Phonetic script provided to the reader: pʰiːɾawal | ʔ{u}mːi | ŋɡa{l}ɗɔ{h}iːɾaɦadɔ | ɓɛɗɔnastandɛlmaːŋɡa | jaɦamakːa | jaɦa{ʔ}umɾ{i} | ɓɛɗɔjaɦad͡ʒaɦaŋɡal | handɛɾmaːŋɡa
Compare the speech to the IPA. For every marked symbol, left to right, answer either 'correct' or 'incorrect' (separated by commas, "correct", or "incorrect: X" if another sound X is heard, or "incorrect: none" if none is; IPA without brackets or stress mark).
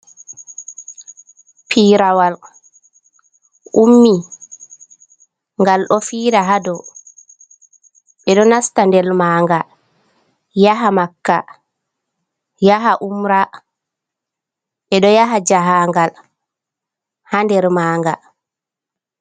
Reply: correct, correct, incorrect: f, correct, incorrect: a